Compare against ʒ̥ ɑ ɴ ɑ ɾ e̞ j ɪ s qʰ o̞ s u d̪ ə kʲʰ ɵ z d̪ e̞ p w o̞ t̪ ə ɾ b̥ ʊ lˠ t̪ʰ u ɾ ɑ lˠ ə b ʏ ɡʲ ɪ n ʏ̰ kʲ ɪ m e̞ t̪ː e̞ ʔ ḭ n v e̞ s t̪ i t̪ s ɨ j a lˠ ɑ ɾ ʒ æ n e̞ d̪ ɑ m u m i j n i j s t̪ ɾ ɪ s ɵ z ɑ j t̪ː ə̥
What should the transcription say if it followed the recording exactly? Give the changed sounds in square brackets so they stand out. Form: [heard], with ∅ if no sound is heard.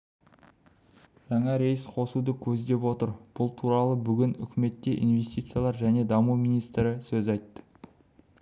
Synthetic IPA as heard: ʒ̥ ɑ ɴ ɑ ɾ e̞ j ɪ s qʰ o̞ s u d̪ ə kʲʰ ɵ z d̪ e̞ p w o̞ t̪ ə ɾ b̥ ʊ lˠ t̪ʰ u ɾ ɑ lˠ ə b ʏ ɡʲ ɪ n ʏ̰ kʲ ɪ m e̞ t̪ː e̞ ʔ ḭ n v e̞ s t̪ i t̪ s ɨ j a lˠ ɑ ɾ ʒ æ n e̞ d̪ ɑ m u m i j n i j s t̪ ɾ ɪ s ɵ z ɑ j t̪ː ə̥